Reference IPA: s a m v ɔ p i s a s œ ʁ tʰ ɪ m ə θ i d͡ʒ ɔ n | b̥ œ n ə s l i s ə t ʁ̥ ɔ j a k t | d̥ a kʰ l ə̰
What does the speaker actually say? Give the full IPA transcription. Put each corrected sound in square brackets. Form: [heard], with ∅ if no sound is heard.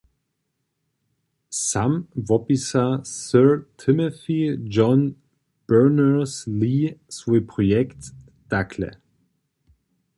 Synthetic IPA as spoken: s a m v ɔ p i s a s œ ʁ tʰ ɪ m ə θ i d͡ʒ ɔ n | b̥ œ n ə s l i s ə [p] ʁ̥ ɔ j [ɛ] k t | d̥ a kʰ l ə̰